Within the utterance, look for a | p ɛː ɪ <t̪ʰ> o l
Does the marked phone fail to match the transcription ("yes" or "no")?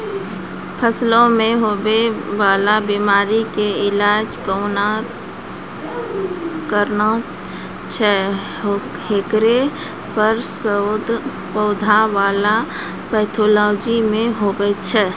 no